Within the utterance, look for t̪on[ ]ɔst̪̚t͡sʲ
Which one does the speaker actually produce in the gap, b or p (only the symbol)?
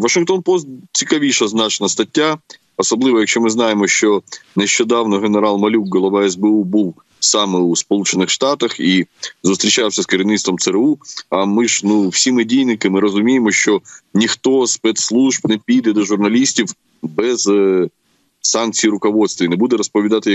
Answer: p